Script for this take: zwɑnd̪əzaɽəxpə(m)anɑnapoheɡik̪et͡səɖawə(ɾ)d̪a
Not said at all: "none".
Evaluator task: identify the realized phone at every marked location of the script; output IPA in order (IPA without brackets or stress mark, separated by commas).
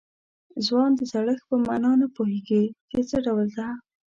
m, l